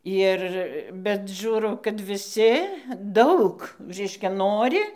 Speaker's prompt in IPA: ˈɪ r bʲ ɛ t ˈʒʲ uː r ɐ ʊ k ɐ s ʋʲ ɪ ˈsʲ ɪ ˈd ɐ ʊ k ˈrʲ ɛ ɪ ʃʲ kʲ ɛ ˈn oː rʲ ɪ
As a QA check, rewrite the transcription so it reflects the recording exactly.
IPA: ˈɪ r bʲ ɛ t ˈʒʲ uː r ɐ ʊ k ɐ t ʋʲ ɪ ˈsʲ ɪ ˈd ɐ ʊ k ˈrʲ ɛ ɪ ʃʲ kʲ ɛ ˈn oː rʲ ɪ